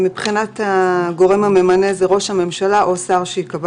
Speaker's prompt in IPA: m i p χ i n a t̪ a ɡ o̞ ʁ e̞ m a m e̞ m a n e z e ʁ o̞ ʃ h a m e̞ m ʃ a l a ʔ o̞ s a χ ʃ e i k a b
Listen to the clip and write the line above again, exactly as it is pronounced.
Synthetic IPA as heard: m i p χ i n a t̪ a ɡ o̞ ʁ e̞ m a m e̞ m a n e z e ʁ o̞ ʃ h a m e̞ m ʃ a l a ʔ o̞ s a ʁ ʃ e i k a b